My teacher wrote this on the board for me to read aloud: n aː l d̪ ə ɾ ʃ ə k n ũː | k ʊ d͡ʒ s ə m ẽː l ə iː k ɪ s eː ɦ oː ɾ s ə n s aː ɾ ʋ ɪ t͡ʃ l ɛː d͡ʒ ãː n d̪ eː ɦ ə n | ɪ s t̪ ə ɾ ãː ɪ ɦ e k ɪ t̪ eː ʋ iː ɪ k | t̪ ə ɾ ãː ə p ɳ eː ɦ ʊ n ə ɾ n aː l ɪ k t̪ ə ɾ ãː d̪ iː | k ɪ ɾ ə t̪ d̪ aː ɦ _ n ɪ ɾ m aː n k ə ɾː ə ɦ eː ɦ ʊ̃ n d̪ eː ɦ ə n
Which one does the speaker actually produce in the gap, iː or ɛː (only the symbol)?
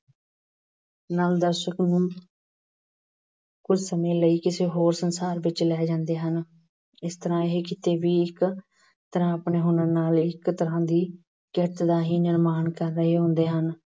iː